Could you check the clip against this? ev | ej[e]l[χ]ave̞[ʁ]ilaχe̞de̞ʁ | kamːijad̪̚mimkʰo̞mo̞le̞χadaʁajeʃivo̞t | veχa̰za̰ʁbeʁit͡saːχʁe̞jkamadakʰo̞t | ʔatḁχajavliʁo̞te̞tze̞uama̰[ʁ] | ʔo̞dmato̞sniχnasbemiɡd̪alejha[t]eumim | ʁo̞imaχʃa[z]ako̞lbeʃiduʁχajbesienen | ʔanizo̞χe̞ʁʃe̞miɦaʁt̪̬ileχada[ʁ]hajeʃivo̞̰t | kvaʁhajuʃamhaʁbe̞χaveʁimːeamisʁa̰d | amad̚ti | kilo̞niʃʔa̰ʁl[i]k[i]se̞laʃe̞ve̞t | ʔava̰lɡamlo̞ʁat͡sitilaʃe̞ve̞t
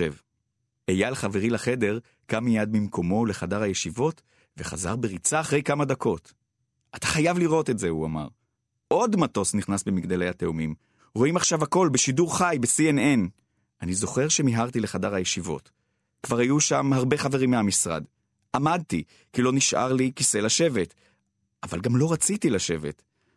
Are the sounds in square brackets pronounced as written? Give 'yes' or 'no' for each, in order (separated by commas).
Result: no, yes, yes, yes, yes, no, yes, yes, yes